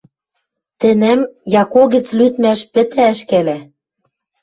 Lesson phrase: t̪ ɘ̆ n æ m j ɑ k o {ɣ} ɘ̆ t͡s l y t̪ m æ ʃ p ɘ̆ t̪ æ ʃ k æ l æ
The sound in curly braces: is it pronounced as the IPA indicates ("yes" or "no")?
yes